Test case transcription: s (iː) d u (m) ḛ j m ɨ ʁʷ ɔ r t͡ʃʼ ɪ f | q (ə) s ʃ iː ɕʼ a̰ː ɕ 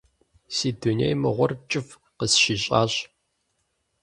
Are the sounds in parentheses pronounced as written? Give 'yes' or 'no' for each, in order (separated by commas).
yes, no, yes